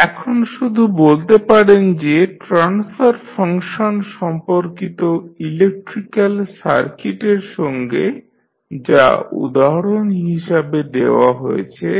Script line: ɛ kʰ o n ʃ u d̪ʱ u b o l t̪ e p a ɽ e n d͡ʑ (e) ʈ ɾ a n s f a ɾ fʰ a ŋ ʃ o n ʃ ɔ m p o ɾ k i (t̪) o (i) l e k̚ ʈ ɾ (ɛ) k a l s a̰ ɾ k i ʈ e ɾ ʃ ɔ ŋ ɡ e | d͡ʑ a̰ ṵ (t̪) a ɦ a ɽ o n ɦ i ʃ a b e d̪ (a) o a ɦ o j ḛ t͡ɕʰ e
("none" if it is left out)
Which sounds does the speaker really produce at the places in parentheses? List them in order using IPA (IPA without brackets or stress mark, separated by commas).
e, t̪, i, i, d̪, e